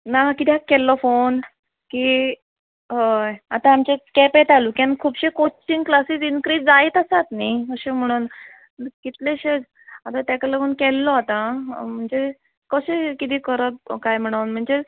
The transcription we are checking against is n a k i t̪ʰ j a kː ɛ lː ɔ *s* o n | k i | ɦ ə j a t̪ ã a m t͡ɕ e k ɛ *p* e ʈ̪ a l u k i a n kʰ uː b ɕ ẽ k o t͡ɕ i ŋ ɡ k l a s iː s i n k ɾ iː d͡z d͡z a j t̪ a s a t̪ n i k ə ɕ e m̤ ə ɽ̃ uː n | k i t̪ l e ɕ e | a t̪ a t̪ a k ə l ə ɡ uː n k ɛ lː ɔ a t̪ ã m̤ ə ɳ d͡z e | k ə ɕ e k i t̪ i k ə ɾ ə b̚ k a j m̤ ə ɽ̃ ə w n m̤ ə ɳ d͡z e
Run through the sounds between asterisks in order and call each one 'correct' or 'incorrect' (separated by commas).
incorrect, correct